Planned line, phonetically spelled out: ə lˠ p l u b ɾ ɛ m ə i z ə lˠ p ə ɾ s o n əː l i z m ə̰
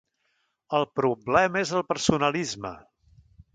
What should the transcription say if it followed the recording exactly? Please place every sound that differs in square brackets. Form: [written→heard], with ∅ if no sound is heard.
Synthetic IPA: ə lˠ p [l→ɾ] u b [ɾ→l] ɛ m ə [i→e] z ə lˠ p ə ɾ s [o→u] n [əː→ə] l i z m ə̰